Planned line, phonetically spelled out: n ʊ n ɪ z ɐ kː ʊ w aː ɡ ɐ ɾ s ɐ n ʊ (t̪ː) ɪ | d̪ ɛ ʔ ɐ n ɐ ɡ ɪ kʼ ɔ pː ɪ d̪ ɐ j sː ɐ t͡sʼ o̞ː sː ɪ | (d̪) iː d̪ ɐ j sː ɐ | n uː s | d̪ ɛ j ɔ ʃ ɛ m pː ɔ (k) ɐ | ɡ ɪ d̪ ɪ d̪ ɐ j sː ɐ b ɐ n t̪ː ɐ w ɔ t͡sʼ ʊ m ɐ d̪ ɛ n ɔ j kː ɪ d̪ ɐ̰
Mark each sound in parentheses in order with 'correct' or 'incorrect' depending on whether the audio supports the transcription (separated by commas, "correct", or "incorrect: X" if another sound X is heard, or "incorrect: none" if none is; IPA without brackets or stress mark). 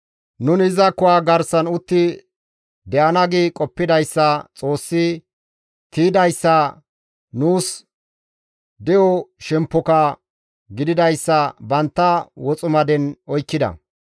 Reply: correct, incorrect: t̪, correct